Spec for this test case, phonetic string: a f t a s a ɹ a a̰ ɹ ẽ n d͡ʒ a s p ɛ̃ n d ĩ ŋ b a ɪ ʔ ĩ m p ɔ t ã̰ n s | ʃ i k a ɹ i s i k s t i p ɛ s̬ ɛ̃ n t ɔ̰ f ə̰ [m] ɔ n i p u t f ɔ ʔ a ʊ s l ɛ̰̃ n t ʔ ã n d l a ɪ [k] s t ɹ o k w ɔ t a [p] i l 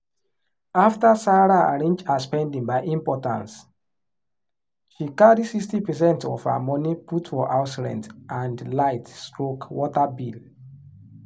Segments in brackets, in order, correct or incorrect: correct, incorrect: t, incorrect: b

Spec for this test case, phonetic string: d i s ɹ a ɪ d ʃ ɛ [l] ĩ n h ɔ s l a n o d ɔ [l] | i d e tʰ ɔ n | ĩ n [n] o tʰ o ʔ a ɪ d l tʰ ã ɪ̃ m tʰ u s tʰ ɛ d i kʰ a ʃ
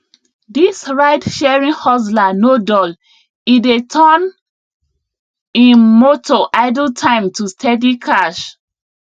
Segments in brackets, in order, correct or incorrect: incorrect: ɹ, correct, incorrect: m

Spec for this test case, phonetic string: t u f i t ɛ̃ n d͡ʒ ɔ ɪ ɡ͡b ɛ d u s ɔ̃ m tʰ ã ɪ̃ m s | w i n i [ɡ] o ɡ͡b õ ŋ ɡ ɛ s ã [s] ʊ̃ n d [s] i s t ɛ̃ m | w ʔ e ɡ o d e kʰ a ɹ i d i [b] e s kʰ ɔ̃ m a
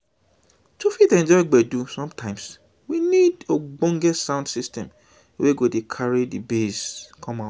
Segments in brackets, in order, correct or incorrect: incorrect: d, incorrect: none, correct, correct

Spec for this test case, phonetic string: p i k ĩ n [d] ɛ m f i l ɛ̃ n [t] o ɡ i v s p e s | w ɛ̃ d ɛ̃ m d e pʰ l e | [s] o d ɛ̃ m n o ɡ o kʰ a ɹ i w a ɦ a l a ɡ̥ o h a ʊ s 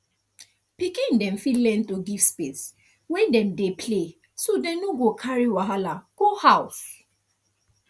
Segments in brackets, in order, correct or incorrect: correct, correct, correct

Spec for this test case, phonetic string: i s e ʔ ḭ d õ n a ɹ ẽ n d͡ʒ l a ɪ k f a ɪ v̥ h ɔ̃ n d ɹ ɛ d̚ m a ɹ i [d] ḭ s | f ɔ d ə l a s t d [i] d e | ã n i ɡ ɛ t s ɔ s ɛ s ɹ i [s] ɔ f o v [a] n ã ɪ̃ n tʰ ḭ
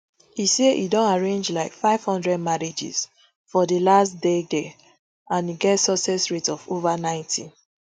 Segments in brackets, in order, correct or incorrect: incorrect: d͡ʒ, incorrect: e, incorrect: t, correct

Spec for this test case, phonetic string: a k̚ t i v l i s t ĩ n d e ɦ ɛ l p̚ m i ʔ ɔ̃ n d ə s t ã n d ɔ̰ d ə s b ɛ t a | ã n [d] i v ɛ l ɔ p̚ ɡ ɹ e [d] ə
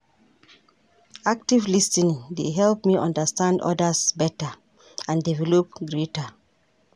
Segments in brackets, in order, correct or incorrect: correct, incorrect: t

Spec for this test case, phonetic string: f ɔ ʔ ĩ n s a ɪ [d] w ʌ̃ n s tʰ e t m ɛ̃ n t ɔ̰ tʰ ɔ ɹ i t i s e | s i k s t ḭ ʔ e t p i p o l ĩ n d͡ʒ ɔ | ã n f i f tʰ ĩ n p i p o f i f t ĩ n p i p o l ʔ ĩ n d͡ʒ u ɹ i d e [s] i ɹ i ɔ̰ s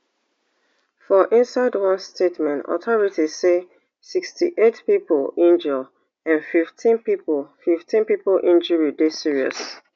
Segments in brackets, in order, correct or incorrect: correct, correct

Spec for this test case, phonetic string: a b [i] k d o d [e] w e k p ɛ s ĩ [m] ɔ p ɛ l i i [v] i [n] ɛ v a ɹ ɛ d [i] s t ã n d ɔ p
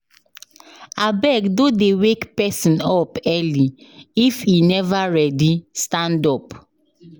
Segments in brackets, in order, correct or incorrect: incorrect: ɛ, correct, incorrect: n, incorrect: f, correct, correct

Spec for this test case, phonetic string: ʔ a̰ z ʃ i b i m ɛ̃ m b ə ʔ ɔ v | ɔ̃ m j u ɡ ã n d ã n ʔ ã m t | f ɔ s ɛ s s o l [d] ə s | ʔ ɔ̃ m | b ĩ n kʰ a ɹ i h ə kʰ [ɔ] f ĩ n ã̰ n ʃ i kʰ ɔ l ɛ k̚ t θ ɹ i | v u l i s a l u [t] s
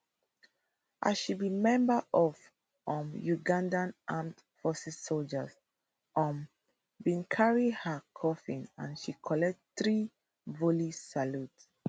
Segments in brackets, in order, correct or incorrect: incorrect: d͡ʒ, correct, correct

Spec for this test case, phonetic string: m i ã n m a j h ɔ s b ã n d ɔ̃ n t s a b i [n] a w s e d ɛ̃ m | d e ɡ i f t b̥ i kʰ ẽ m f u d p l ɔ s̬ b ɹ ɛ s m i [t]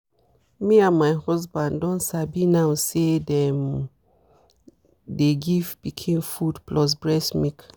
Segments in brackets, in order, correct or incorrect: correct, incorrect: k

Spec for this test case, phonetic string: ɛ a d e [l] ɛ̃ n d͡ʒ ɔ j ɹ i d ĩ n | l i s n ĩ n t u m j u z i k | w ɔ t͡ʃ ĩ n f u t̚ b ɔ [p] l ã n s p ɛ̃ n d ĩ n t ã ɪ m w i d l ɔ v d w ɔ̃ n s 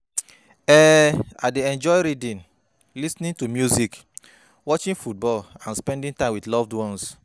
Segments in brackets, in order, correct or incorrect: incorrect: none, incorrect: none

